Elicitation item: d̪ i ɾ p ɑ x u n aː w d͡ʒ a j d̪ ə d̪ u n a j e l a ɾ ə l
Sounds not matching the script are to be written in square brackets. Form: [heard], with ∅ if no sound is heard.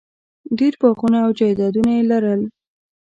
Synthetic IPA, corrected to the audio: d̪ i ɾ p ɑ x u n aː w d͡ʒ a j d̪ [ɑ] d̪ u n a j e l a ɾ ə l